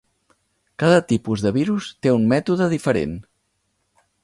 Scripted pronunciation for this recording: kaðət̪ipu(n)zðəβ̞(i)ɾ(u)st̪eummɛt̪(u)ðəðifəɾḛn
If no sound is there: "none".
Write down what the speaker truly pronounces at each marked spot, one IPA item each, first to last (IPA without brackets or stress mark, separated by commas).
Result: none, i, u, u